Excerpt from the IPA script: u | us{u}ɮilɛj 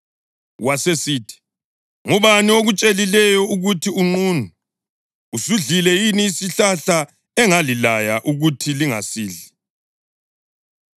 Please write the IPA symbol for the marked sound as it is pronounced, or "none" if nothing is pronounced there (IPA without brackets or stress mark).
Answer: u